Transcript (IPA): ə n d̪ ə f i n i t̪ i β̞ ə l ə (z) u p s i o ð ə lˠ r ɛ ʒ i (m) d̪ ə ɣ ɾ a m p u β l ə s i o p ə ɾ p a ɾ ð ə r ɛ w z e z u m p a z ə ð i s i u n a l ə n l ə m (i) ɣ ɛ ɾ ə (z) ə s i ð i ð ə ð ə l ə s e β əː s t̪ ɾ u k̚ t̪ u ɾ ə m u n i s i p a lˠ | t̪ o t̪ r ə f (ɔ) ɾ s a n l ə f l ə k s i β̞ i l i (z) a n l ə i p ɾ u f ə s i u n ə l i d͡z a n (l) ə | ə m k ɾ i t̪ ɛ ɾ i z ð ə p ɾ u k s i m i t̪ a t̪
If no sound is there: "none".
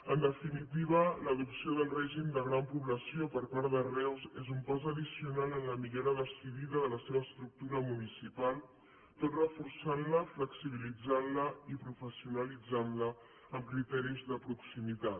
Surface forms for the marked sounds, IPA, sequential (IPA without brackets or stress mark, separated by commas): ð, m, i, ð, u, d͡z, l